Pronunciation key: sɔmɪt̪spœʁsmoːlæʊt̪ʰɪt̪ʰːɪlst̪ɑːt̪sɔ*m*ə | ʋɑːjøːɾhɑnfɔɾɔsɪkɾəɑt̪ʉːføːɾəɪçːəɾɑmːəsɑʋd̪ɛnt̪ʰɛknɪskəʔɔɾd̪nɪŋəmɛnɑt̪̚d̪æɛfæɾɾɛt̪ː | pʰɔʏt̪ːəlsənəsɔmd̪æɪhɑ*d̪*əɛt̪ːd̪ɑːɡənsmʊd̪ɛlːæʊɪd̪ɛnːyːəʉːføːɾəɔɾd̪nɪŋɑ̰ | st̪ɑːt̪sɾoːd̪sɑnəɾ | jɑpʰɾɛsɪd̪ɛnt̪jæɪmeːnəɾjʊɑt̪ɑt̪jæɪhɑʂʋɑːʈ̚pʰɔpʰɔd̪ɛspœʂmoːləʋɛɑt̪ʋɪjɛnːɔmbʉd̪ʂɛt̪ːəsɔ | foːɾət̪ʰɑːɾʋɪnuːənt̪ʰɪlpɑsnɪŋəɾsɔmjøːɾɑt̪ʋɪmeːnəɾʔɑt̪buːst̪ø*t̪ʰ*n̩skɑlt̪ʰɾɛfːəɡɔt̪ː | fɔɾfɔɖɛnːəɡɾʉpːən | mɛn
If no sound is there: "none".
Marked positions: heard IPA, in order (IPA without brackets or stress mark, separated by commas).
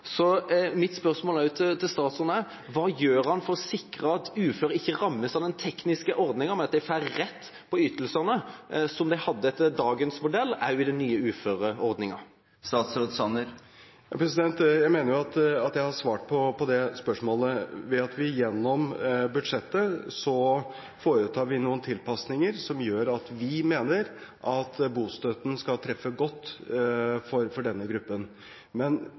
n, d̪ː, t̪